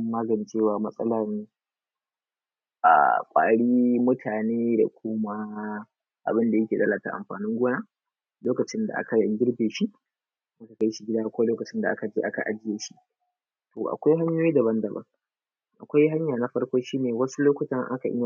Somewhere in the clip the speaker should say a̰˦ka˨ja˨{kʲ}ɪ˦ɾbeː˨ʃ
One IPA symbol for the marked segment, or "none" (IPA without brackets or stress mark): ɡʲ